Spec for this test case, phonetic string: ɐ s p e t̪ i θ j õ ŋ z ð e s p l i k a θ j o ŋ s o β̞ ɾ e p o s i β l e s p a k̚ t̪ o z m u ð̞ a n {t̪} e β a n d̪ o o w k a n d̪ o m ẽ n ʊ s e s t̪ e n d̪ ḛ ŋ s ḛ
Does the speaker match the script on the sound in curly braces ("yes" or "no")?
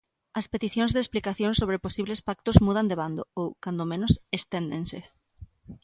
no